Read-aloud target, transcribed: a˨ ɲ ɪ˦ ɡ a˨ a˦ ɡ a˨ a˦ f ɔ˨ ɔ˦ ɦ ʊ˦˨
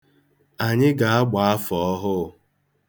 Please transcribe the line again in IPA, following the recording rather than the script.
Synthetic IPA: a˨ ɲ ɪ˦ ɡ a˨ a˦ ɡ͡b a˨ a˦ f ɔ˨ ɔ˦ ɦ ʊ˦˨